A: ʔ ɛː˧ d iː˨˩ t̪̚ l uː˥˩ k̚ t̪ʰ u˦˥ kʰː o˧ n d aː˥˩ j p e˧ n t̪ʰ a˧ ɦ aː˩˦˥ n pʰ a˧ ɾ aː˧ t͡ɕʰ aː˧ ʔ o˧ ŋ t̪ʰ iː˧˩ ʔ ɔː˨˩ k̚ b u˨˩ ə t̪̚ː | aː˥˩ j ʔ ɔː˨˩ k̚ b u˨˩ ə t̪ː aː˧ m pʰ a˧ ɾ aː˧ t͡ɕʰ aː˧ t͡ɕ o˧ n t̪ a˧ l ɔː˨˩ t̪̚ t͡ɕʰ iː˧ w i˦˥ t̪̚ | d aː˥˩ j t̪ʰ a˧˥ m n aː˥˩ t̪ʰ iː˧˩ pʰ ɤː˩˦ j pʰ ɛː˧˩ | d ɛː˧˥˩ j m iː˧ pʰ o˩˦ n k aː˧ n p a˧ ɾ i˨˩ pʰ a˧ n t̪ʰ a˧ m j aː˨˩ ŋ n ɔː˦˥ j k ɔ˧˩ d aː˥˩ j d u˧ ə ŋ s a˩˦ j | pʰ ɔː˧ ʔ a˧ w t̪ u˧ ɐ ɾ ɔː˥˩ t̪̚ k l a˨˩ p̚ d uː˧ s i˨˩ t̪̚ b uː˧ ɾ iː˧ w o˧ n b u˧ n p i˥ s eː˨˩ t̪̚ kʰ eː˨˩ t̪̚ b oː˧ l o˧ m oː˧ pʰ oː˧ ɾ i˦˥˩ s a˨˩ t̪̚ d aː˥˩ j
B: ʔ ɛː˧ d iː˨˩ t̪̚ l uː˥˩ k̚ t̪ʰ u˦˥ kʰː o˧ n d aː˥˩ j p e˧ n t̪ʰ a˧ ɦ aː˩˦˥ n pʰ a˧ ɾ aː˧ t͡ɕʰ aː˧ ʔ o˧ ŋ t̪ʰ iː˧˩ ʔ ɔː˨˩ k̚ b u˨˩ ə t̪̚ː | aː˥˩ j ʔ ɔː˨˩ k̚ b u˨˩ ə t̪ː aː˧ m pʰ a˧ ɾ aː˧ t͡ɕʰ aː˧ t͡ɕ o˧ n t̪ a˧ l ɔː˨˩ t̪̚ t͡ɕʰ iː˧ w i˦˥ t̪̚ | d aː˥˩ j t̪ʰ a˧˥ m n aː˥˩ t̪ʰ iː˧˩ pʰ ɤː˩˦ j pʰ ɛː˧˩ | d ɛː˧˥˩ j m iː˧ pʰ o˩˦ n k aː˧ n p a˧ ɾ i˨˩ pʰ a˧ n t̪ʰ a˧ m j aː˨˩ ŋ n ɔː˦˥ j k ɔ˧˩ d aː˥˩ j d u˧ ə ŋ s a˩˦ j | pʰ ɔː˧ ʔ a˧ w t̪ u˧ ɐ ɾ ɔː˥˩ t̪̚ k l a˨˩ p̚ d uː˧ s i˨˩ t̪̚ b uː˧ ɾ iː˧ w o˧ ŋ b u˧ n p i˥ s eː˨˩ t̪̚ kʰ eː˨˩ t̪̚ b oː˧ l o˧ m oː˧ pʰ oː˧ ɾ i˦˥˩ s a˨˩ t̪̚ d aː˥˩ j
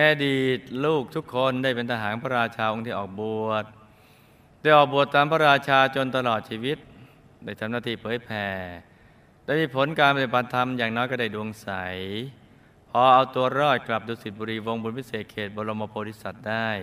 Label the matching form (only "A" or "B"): B